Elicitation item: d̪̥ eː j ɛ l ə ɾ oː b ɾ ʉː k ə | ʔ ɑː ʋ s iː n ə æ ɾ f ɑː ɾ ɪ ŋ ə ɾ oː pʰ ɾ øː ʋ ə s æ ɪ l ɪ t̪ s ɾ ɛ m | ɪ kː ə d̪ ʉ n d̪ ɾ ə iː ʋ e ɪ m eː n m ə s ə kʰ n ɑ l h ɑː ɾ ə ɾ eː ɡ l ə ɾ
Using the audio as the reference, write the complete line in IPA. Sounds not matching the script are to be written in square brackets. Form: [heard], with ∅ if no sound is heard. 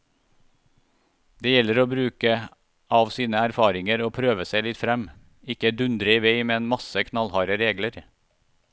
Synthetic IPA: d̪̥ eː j ɛ l ə ɾ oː b ɾ ʉː k ə | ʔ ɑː ʋ s iː n ə æ ɾ f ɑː ɾ ɪ ŋ ə ɾ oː pʰ ɾ øː ʋ ə s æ ɪ l ɪ t̪ [f] ɾ ɛ m | ɪ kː ə d̪ ʉ n d̪ ɾ ə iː ʋ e ɪ m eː n m [ɑ] s ə kʰ n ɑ l h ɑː ɾ ə ɾ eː ɡ l ə ɾ